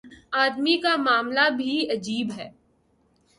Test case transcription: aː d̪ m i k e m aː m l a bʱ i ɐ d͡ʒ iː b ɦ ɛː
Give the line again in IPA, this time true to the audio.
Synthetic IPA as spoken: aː d̪ m i k a m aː m l a bʱ i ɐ d͡ʒ iː b ɦ ɛː